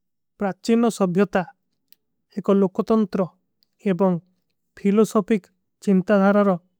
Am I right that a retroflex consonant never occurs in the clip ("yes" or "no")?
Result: yes